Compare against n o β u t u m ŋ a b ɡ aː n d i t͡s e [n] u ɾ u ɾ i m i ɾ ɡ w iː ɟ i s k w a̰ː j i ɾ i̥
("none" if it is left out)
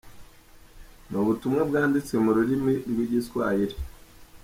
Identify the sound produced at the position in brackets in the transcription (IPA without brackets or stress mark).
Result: m